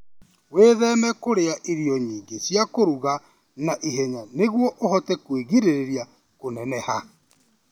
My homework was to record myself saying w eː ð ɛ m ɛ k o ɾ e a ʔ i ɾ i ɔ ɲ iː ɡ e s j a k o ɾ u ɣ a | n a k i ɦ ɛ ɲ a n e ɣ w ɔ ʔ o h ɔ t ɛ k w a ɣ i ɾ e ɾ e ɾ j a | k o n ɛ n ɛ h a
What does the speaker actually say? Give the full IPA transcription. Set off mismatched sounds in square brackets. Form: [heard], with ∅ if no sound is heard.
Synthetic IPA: w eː ð ɛ m ɛ k o ɾ e a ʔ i ɾ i ɔ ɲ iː ɡ e s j a k o ɾ u ɣ a | n a [ʔ] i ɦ ɛ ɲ a n e ɣ w ɔ ʔ o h ɔ t ɛ k w [e] ɣ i ɾ e ɾ e ɾ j a | k o n ɛ n ɛ h a